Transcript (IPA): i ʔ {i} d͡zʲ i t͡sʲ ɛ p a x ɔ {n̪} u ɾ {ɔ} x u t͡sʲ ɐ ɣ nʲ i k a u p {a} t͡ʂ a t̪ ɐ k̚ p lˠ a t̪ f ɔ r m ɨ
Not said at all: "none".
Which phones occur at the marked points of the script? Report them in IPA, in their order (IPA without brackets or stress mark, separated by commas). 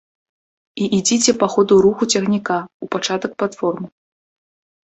i, d̪, u, a